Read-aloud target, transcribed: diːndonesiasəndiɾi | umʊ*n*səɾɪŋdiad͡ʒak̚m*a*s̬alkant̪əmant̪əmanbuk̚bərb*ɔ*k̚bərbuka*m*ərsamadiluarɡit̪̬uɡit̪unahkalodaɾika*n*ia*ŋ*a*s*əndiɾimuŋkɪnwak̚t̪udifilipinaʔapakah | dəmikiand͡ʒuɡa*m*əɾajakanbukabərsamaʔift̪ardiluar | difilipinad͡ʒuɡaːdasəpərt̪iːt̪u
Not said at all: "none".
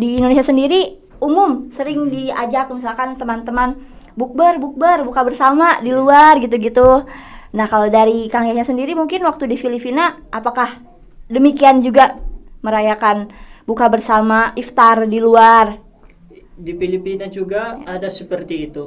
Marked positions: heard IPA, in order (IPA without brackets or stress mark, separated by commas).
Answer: m, i, u, b, ŋ, ɲ, s, m